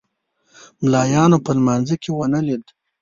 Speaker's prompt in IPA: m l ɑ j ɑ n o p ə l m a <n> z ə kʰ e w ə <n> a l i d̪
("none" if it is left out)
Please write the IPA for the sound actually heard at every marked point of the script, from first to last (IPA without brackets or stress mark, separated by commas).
n, n